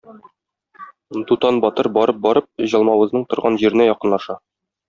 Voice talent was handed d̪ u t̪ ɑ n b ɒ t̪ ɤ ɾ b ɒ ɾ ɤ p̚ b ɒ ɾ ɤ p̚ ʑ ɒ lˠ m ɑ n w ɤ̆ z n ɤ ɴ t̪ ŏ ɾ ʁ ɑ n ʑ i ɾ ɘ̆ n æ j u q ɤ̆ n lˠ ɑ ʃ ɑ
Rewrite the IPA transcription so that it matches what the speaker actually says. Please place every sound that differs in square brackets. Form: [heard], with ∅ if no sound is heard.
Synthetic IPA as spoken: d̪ u t̪ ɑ n b ɒ t̪ ɤ ɾ b ɒ ɾ ɤ p̚ b ɒ ɾ ɤ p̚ ʑ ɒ lˠ m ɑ [∅] w ɤ̆ z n ɤ ɴ t̪ ŏ ɾ ʁ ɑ n ʑ i ɾ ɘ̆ n æ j [ɒ] q ɤ̆ n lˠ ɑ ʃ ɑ